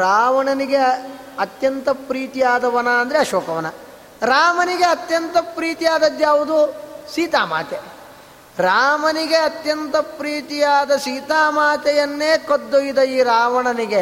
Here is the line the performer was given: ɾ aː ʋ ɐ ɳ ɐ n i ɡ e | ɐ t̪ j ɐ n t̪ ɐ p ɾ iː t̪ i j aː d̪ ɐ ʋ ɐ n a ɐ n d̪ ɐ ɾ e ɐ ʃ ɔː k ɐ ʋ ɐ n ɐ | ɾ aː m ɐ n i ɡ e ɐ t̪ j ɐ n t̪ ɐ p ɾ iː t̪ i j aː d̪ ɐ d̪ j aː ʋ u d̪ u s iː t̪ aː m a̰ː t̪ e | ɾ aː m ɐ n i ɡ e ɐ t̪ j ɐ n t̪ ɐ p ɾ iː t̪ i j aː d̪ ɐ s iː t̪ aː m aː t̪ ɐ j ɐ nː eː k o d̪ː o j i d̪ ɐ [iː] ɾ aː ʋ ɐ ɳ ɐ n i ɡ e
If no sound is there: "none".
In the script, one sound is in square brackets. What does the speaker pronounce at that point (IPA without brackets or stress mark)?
iː